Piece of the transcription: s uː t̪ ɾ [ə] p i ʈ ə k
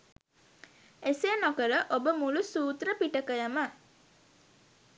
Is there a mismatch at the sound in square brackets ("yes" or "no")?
no